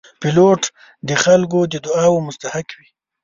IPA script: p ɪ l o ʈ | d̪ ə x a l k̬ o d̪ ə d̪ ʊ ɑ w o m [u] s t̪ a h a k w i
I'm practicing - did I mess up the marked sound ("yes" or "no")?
yes